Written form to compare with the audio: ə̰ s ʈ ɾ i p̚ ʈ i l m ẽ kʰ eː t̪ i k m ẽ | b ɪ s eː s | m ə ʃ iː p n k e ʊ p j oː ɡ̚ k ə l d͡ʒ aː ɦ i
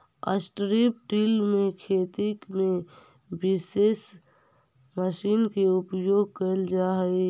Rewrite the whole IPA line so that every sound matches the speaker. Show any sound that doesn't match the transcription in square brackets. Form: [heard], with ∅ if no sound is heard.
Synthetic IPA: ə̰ s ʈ ɾ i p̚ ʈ i l m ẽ kʰ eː t̪ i k m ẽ | b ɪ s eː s | m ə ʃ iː [∅] n k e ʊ p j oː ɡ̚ k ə l d͡ʒ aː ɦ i